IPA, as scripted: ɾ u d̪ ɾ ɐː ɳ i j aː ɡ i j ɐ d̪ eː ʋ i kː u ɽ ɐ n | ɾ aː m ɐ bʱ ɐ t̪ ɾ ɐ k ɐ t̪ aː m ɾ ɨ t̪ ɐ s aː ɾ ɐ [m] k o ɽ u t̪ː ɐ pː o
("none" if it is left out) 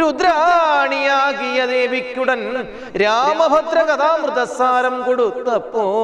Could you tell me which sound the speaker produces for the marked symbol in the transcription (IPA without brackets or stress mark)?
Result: m